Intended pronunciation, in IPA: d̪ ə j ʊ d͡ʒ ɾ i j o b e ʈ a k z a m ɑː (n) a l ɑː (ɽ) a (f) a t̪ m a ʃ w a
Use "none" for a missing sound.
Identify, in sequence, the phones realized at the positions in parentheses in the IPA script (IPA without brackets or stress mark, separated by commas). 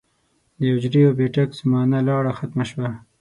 n, ɽ, x